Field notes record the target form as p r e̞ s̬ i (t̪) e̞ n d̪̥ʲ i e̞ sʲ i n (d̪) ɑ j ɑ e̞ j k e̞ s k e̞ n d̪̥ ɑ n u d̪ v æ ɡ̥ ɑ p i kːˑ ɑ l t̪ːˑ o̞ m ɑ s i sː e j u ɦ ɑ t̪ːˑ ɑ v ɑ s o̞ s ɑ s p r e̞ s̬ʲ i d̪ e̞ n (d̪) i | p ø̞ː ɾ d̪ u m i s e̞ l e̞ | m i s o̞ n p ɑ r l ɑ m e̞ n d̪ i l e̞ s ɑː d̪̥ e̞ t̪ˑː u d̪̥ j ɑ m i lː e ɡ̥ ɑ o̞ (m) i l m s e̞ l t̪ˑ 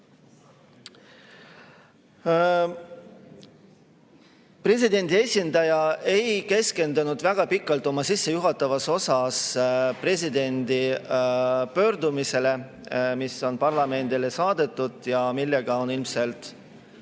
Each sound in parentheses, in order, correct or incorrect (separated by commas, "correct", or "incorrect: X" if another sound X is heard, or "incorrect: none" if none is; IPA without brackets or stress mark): incorrect: d̪, correct, correct, incorrect: n